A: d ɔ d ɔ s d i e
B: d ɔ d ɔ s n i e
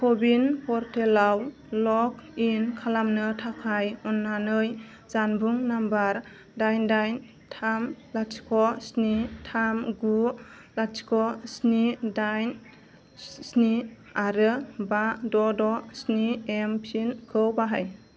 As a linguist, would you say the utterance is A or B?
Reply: B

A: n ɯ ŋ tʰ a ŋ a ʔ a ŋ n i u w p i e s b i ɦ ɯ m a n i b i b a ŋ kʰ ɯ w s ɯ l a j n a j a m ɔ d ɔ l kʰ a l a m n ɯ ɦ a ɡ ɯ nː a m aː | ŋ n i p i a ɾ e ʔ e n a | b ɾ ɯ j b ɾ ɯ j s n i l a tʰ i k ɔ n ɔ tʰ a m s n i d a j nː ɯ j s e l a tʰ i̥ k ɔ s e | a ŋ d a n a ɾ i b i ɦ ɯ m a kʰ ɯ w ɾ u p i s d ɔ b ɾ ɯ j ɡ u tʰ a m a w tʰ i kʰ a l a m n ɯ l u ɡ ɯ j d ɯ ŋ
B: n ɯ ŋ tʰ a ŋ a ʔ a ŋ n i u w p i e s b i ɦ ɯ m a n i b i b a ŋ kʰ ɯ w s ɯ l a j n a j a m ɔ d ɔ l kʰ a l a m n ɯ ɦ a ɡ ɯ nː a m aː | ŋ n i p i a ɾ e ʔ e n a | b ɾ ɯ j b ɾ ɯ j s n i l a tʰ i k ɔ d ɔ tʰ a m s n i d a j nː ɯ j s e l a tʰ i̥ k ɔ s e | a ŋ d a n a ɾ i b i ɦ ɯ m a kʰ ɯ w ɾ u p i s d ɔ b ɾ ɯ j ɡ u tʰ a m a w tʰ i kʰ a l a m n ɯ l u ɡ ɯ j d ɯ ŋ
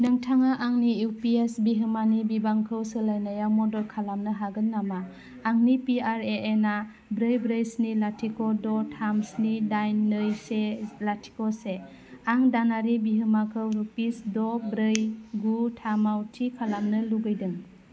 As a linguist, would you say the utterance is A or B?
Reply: B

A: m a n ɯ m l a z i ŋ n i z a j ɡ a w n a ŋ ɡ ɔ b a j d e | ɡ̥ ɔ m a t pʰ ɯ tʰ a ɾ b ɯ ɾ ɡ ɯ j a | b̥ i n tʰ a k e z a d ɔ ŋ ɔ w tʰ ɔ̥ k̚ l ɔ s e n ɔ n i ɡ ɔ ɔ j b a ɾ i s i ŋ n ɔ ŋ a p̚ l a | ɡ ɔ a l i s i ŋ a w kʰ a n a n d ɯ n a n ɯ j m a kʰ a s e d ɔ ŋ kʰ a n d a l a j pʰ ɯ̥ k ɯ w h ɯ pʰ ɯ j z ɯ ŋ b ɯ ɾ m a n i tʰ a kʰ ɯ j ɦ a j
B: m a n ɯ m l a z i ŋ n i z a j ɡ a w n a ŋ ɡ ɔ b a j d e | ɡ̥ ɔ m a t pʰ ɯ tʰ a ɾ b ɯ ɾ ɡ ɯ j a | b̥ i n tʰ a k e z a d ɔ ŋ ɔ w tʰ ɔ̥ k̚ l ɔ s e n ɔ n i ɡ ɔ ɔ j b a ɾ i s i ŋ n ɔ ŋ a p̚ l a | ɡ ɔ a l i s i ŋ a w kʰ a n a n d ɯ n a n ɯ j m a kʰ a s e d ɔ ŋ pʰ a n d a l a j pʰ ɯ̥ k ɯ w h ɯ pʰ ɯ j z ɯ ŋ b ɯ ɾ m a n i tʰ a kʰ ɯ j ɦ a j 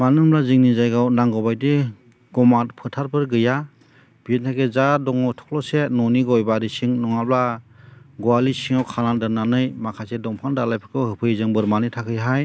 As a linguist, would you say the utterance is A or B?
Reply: B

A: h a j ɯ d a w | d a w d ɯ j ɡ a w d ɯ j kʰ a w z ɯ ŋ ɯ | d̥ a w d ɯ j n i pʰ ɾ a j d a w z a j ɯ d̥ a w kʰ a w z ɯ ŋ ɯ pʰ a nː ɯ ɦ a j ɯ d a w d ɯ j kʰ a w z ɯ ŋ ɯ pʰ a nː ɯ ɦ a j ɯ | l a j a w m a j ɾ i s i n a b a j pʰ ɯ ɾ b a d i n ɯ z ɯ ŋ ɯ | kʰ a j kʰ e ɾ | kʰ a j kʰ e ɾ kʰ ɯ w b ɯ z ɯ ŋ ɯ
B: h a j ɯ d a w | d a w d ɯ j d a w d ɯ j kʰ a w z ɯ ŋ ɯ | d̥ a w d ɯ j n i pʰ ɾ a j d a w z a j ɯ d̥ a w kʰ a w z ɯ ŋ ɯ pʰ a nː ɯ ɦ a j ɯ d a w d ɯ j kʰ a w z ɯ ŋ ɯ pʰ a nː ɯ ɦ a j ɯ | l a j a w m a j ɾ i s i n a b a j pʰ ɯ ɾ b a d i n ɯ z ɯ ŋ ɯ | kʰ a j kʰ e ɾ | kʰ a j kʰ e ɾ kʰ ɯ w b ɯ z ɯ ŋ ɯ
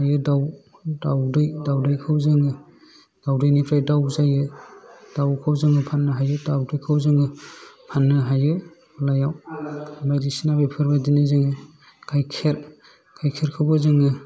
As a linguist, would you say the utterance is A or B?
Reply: B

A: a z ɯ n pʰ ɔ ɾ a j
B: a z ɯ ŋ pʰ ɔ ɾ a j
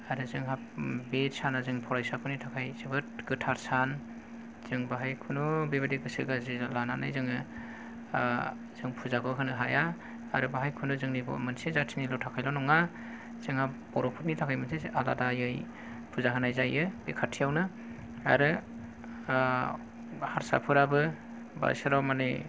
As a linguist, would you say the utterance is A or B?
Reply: B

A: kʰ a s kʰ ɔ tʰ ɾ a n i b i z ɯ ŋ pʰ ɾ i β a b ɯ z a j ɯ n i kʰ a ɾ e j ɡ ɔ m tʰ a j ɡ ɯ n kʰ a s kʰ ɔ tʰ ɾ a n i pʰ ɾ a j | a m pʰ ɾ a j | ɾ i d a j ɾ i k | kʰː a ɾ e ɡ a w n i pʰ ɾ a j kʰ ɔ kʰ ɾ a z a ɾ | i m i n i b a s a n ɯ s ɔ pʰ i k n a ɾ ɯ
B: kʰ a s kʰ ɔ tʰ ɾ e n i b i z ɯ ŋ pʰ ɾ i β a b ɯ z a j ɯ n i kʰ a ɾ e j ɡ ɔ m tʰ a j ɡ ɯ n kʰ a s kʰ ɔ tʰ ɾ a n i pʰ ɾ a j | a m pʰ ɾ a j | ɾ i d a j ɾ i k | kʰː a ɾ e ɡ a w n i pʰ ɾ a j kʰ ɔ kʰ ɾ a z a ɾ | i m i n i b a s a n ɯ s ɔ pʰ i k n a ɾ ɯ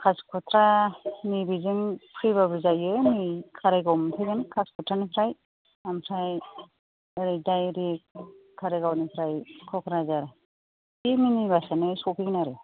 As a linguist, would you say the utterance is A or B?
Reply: A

